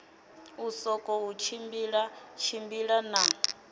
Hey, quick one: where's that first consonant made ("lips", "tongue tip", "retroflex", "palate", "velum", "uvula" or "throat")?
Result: tongue tip